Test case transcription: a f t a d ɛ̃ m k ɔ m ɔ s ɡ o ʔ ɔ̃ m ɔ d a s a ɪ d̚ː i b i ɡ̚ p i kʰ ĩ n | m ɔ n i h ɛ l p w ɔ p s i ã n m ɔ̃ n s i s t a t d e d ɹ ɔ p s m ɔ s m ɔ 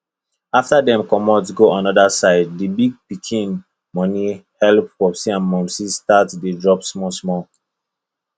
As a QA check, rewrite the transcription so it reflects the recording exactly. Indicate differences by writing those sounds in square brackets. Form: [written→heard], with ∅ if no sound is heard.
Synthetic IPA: a f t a d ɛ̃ m k ɔ m ɔ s ɡ o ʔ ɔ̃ [m→n] ɔ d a s a ɪ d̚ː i b i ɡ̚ p i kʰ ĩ n | m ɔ n i h ɛ l p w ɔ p s i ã n m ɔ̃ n s i s t a t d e d ɹ ɔ p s m ɔ s m ɔ